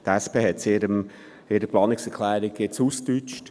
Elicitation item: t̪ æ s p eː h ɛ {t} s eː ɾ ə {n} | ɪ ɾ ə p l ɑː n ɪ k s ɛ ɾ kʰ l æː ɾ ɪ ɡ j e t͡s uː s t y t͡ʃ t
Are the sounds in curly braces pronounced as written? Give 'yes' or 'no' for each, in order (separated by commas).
yes, no